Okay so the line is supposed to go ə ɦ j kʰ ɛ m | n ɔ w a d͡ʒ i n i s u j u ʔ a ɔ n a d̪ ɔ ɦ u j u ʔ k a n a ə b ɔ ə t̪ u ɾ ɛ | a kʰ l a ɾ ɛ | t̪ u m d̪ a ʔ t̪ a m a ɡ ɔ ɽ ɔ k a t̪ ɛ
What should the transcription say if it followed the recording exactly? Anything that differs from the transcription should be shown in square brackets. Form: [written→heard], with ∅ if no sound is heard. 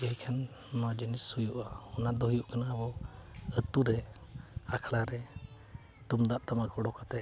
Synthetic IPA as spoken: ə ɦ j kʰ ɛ [m→n] | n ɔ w a d͡ʒ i n i s u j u ʔ a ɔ n a d̪ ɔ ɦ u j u ʔ k a n a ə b ɔ ə t̪ u ɾ ɛ | a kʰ l a ɾ ɛ | t̪ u m d̪ a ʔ t̪ a m a [ɡ→k] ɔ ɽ ɔ k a t̪ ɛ